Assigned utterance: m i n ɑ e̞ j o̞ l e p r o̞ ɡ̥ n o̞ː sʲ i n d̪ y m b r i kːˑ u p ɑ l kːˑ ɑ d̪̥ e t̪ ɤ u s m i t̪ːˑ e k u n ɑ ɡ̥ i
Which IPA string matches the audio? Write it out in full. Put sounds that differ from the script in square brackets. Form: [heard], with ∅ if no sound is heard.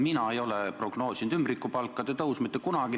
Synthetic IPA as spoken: m i n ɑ e̞ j o̞ l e p r o̞ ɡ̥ n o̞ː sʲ i n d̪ y m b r i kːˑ u p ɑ l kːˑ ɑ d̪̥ e t̪ ɤ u s m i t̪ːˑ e k u n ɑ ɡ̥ i